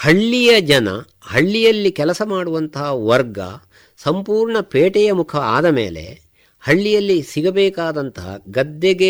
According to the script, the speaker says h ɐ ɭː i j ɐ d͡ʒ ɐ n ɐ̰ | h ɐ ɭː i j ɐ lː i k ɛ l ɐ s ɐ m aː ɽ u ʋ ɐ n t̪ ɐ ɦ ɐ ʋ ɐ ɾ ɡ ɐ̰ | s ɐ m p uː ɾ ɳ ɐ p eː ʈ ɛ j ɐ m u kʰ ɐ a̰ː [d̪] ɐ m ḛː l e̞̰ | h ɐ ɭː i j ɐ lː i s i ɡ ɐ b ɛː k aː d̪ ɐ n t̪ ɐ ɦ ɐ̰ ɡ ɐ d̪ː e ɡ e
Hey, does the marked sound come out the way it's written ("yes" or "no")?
yes